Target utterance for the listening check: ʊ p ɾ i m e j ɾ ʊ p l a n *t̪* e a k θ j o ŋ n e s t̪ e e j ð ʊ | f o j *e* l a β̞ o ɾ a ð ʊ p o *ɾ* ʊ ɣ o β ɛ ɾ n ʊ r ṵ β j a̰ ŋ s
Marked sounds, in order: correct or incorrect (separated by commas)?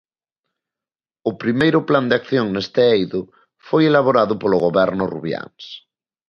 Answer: incorrect, correct, incorrect